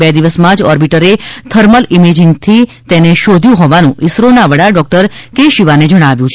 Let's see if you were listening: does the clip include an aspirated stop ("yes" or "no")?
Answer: yes